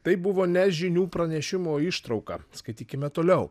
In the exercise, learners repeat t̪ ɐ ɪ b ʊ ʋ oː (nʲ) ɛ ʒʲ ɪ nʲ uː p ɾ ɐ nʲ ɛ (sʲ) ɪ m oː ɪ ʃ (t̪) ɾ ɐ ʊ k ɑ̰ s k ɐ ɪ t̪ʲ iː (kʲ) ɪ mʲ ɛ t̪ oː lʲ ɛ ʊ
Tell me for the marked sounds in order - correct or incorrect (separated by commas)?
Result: correct, incorrect, correct, correct